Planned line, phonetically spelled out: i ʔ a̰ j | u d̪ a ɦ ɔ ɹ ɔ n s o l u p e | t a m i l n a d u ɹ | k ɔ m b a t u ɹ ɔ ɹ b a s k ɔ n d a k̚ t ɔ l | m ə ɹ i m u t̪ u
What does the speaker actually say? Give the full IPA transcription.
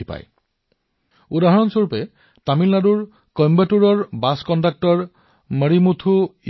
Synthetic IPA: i p a̰ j | u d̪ a ɦ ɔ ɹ ɔ n s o ɹ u p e | t a m i l n a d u ɹ | k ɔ m b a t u ɹ ɔ ɹ b a s k ɔ n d a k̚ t ɔ ɹ | m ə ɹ i m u t̪ʰ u